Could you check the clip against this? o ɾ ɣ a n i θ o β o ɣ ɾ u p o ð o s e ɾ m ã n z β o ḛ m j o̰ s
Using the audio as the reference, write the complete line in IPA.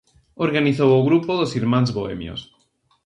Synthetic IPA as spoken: o ɾ ɣ a n i θ o w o ɣ ɾ u p o ð o s i ɾ m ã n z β o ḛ m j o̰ s